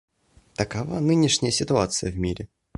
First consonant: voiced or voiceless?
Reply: voiceless